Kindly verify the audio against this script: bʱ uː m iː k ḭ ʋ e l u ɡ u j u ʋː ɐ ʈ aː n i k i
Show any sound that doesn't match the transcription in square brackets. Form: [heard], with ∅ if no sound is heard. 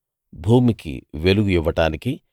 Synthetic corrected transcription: bʱ uː m [i] k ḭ ʋ e l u ɡ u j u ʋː ɐ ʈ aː n i k i